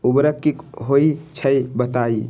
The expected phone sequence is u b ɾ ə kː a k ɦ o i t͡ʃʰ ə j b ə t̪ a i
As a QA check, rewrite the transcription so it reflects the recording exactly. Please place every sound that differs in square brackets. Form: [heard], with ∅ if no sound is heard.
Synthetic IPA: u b ɾ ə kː [i] k ɦ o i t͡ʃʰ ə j b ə t̪ a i